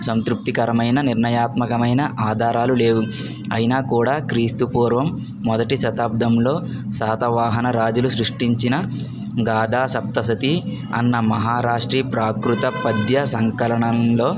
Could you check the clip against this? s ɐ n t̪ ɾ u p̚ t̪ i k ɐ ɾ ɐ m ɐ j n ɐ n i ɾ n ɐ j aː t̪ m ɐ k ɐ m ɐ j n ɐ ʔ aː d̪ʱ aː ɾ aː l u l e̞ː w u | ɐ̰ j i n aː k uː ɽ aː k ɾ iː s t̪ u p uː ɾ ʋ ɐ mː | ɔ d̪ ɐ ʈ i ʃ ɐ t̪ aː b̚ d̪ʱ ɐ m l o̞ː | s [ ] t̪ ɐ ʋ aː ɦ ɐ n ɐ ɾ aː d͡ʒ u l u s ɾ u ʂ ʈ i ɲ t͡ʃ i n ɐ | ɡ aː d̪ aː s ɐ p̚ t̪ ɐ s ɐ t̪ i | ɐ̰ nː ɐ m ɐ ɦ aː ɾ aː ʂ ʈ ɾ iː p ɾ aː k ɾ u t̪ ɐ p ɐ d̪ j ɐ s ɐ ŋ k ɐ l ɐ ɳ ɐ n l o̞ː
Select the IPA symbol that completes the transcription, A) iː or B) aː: B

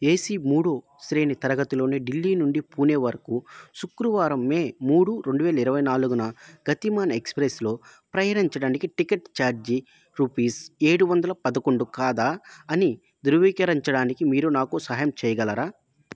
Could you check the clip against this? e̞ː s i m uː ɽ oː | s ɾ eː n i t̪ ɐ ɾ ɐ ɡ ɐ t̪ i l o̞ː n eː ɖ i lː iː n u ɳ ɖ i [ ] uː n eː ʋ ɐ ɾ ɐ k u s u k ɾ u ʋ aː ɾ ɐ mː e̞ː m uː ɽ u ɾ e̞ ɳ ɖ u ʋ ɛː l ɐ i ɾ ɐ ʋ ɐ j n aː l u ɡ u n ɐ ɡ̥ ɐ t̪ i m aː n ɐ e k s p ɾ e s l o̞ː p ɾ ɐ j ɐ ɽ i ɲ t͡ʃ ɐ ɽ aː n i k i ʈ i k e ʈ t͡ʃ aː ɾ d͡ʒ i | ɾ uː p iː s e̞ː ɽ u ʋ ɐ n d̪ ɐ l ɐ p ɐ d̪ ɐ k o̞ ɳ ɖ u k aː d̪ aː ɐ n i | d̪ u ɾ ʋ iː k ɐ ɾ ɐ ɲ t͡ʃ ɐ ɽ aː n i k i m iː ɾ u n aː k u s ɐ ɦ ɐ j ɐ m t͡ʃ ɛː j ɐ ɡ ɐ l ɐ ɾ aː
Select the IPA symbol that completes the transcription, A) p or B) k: A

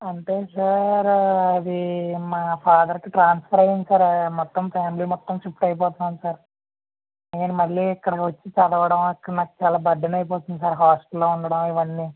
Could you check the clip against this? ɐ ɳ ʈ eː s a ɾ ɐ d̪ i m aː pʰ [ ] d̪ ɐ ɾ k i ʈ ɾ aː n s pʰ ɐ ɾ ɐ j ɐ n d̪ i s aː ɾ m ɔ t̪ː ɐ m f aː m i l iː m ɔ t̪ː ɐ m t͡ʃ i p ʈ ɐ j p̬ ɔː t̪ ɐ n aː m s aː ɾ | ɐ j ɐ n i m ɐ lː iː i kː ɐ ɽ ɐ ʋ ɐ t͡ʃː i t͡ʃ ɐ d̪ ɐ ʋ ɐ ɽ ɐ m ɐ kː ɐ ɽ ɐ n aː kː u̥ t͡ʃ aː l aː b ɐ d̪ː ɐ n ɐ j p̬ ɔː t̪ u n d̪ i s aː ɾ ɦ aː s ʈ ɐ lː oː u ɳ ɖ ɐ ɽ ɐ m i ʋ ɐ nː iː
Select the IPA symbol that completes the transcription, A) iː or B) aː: B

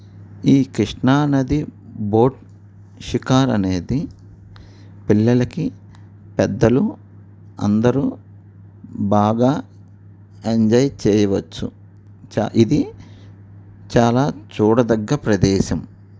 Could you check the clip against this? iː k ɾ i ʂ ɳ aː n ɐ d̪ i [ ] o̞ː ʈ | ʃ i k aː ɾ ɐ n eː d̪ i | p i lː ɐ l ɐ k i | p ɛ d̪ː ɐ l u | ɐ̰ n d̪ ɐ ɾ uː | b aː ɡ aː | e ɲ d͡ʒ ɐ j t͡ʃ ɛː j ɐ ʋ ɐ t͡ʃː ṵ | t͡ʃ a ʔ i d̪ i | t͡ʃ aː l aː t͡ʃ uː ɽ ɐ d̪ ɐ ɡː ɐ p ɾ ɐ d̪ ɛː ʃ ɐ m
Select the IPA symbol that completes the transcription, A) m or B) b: B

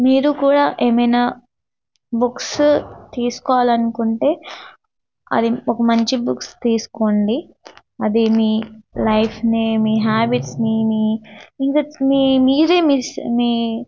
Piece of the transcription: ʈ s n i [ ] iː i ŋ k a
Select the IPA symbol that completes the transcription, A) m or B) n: A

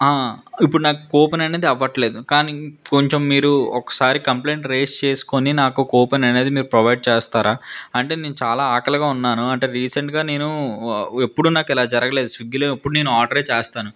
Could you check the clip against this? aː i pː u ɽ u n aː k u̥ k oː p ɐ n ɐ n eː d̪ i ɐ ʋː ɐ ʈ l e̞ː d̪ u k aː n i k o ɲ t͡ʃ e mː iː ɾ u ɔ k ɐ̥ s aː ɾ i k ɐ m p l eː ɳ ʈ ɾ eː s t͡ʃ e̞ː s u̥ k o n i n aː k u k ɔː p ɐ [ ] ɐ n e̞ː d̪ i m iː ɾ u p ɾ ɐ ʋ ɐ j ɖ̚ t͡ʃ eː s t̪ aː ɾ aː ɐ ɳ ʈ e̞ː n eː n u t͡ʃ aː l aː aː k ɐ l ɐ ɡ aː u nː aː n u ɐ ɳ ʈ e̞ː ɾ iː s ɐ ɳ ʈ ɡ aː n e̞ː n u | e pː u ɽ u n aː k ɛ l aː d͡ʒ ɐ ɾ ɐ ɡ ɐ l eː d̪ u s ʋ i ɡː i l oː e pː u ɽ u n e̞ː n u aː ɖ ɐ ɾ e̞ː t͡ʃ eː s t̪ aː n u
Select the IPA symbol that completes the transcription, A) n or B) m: A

